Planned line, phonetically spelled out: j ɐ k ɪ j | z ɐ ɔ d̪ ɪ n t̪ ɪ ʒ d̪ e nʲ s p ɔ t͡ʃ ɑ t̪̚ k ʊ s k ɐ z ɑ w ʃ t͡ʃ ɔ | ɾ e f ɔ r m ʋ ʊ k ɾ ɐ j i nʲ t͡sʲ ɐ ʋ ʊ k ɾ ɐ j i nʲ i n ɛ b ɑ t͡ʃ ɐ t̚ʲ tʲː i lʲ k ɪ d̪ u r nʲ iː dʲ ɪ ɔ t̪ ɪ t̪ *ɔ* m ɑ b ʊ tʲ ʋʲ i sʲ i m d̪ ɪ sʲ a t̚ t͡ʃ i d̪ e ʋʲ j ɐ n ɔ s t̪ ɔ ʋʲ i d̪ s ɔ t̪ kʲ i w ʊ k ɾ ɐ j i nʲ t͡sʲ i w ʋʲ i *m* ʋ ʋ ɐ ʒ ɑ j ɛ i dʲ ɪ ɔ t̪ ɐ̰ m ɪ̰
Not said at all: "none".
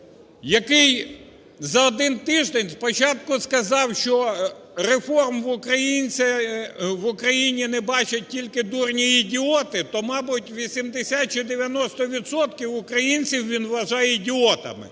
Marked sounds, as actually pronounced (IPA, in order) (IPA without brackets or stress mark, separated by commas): ɔ, n